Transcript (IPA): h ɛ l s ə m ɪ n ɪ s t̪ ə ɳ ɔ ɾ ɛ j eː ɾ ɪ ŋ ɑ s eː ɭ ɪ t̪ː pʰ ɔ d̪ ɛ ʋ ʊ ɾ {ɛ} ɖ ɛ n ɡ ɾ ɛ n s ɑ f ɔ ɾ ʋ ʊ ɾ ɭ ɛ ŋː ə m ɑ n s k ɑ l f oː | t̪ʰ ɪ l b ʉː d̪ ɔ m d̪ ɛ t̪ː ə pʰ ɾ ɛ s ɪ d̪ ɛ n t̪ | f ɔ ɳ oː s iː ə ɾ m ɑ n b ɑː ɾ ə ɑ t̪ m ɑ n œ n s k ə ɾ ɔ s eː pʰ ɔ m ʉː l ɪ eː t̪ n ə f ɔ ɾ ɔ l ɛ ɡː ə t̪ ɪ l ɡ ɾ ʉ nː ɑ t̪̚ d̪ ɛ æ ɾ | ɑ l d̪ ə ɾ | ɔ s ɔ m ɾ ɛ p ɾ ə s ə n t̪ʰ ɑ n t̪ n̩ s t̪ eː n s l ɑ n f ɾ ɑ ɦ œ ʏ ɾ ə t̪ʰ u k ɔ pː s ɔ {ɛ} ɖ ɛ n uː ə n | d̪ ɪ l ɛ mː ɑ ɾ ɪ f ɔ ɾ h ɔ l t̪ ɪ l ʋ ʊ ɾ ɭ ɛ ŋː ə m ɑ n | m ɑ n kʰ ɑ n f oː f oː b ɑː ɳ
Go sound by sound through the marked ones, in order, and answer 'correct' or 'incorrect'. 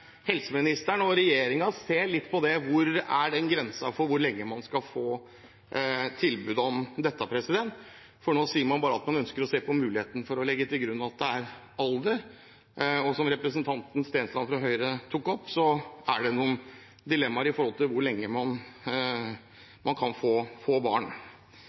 incorrect, incorrect

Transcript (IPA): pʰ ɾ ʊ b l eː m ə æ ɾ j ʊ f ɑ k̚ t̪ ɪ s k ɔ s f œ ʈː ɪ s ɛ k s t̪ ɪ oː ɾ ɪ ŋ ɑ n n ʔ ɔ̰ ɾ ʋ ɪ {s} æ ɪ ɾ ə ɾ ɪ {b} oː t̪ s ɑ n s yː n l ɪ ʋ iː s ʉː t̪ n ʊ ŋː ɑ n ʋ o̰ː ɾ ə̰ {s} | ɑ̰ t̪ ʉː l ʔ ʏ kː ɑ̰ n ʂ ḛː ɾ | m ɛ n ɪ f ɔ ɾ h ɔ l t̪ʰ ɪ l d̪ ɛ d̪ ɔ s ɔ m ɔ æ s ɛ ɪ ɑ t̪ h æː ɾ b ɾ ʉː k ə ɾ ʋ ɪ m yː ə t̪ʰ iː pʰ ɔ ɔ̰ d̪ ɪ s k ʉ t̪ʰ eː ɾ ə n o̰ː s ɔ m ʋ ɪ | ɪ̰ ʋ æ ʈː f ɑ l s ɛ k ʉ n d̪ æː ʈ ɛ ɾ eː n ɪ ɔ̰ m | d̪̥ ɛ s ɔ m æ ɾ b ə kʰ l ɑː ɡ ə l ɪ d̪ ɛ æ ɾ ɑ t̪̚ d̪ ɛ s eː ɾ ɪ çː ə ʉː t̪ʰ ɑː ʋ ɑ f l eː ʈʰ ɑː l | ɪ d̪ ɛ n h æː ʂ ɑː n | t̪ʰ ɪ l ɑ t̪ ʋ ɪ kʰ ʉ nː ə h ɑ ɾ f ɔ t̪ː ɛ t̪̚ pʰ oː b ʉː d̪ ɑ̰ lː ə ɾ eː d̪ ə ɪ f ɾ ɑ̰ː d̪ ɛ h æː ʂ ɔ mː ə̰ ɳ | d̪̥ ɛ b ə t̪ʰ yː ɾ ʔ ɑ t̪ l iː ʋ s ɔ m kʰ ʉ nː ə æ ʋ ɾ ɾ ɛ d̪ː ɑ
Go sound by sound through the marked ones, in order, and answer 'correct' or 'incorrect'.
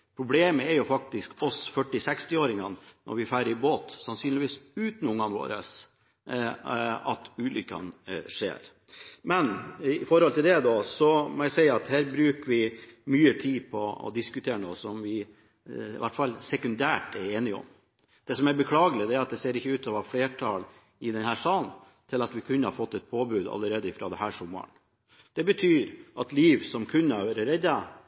incorrect, correct, correct

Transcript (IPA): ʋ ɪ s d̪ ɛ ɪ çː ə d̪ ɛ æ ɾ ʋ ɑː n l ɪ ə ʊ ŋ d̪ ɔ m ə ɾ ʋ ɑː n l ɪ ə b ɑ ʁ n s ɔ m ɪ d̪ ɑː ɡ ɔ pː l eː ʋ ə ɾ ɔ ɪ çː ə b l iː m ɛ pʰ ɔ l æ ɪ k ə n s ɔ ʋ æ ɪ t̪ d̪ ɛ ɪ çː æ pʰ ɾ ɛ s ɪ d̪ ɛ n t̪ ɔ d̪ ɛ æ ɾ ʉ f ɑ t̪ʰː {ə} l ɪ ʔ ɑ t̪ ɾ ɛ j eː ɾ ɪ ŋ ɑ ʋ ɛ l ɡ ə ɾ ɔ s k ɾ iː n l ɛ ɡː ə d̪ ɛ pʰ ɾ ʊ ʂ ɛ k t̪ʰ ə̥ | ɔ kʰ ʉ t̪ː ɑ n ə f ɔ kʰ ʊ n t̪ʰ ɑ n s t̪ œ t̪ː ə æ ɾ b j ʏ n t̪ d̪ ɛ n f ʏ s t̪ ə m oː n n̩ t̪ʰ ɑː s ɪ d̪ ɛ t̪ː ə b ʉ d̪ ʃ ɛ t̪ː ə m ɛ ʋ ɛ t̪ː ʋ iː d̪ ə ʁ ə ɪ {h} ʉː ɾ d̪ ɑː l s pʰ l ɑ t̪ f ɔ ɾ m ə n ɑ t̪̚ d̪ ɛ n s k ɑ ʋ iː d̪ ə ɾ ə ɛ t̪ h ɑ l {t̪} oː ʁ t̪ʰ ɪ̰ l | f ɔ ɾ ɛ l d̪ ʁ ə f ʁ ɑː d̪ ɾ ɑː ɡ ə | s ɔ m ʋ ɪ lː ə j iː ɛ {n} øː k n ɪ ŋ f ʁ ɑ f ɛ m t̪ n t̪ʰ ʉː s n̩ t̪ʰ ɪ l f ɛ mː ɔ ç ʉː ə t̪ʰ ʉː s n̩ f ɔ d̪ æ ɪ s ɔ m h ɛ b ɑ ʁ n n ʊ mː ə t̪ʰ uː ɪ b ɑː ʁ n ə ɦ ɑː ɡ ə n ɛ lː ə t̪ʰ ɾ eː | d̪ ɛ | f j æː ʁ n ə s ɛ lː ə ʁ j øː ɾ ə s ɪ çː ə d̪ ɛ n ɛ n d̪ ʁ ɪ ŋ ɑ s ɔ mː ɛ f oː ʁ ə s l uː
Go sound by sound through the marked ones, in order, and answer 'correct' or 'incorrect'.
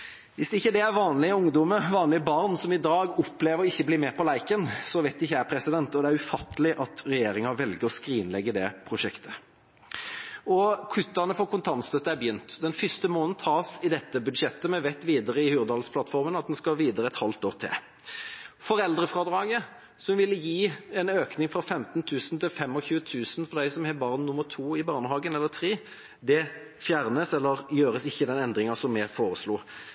correct, correct, correct, correct

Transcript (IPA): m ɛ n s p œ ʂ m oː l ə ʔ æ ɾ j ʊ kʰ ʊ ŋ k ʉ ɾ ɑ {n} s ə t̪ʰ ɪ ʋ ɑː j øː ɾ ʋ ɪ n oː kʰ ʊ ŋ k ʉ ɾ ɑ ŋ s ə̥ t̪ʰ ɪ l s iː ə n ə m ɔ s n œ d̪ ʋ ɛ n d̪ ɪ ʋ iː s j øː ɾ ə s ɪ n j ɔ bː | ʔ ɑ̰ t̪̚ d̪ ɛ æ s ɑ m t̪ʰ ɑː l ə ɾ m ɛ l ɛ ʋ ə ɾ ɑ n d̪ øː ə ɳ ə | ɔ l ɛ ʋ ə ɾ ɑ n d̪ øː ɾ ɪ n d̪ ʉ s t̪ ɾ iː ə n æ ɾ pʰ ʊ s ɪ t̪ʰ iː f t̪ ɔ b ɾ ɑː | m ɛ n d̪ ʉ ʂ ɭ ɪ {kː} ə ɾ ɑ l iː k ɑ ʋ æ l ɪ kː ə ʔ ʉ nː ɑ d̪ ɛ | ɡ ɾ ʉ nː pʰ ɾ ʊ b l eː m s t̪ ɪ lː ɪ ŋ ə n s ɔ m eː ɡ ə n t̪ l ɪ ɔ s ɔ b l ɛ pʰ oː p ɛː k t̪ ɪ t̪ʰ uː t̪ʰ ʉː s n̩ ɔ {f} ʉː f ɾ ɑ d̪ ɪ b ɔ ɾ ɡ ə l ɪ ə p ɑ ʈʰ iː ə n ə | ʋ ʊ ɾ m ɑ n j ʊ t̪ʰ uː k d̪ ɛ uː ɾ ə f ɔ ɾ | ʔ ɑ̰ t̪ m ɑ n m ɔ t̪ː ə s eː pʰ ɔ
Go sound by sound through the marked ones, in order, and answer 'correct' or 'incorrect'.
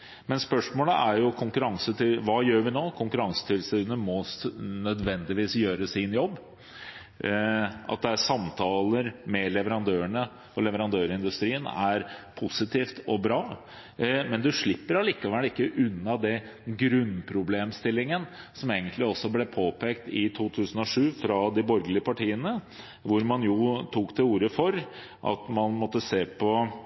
incorrect, incorrect, incorrect

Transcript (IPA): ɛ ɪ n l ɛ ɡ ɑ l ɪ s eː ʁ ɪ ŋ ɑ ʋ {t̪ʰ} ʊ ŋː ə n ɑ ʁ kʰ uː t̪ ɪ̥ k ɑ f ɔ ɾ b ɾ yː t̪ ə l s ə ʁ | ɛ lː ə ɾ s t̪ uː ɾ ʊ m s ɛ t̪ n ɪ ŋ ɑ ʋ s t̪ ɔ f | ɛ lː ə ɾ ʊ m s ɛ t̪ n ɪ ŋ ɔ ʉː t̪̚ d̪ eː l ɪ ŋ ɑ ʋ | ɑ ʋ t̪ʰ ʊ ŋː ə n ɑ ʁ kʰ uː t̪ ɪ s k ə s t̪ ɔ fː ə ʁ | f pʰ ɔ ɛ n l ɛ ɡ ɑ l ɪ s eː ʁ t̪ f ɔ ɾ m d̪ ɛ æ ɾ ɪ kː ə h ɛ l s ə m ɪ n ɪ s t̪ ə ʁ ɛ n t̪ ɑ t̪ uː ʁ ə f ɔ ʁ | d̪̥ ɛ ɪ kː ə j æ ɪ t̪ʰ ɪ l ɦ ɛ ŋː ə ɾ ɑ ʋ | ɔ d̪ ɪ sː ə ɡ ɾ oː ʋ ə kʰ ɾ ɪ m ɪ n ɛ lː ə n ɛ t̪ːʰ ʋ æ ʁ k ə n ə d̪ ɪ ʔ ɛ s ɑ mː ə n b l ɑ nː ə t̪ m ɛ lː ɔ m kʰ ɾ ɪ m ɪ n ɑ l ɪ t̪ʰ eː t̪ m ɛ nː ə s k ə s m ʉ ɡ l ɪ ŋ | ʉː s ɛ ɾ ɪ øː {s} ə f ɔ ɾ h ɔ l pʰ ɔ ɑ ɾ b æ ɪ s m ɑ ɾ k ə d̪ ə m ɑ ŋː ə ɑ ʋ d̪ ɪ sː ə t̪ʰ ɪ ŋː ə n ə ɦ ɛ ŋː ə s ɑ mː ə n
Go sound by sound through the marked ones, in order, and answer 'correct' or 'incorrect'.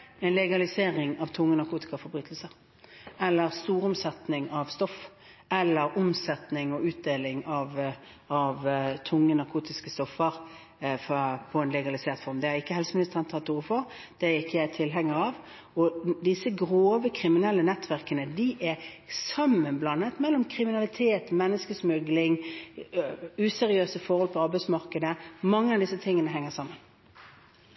correct, correct

